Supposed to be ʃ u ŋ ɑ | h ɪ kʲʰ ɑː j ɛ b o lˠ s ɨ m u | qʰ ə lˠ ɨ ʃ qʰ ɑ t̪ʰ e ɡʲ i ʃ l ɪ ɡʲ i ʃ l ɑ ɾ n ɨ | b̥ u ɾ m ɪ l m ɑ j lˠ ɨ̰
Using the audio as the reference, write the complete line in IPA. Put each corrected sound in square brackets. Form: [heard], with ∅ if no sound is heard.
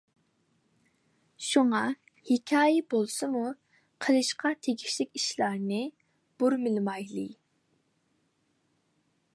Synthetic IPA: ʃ u ŋ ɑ | h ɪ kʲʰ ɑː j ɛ b o lˠ s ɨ m u | qʰ ə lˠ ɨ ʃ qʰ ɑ t̪ʰ e ɡʲ i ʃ l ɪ [kʲ] i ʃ l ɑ ɾ n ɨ | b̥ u ɾ m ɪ l m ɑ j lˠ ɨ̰